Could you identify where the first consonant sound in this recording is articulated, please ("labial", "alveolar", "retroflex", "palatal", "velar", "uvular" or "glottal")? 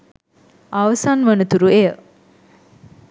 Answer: labial